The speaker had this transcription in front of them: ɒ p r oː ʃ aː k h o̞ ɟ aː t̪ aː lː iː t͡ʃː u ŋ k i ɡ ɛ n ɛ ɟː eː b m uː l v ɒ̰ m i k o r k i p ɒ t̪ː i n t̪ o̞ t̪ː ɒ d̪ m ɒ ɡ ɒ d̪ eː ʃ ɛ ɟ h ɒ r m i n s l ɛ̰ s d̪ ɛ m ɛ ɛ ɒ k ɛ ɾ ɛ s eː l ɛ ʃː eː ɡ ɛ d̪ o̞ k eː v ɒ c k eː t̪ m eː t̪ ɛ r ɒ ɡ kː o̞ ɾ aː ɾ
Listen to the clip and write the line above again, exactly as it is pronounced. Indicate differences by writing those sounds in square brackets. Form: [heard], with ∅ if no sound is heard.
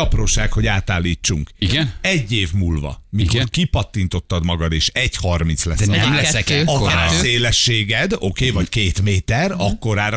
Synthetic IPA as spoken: ɒ p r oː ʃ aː k h o̞ ɟ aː t̪ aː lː iː t͡ʃː u ŋ k i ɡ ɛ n ɛ ɟː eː [v] m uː l v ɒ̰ m i k o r k i p ɒ t̪ː i n t̪ o̞ t̪ː ɒ d̪ m ɒ ɡ ɒ d̪ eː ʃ ɛ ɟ h ɒ r m i n s l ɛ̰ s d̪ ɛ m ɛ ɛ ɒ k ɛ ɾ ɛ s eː l ɛ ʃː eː ɡ ɛ d̪ o̞ k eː v ɒ c k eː t̪ m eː t̪ ɛ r ɒ [∅] kː o̞ ɾ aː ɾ